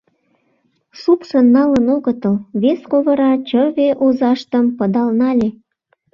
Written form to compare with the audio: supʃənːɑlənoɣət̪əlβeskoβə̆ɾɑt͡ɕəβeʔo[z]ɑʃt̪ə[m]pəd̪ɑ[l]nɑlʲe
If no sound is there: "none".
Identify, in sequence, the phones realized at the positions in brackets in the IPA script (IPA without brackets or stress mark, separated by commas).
z, m, l